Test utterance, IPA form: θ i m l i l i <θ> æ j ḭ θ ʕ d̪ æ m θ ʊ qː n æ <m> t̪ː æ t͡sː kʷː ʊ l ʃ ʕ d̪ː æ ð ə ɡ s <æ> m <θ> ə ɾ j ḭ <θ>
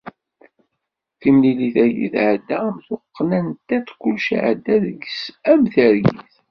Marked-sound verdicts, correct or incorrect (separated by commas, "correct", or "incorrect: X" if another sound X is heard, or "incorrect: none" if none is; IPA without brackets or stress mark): correct, incorrect: n, correct, correct, correct